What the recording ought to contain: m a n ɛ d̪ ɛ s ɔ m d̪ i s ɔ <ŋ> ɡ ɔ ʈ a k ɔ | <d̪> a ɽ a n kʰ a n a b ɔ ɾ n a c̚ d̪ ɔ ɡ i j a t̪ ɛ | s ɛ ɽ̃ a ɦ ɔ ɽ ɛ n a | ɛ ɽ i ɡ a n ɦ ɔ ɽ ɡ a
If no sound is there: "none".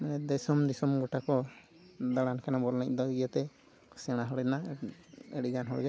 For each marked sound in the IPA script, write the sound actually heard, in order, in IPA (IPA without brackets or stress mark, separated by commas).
m, d̪